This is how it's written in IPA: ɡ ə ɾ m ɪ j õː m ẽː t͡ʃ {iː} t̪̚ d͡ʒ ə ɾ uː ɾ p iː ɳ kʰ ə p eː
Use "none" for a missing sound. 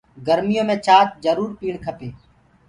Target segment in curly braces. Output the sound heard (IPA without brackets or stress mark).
aː